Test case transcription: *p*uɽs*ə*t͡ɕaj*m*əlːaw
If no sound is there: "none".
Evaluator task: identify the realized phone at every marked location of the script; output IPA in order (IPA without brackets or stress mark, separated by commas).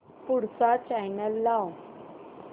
p, a, n